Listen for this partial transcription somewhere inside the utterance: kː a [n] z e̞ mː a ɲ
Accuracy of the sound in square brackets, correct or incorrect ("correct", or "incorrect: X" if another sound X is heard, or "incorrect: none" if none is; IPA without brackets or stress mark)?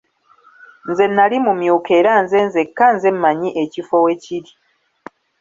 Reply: correct